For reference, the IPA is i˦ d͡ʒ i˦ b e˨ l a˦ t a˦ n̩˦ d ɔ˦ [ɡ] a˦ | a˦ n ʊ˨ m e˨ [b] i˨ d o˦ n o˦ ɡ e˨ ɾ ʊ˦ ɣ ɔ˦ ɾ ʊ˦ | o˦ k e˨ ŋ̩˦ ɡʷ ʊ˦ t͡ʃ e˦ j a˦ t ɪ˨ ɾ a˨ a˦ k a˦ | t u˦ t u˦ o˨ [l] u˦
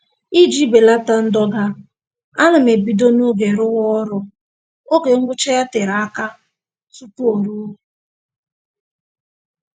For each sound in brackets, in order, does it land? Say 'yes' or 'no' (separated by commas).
yes, yes, no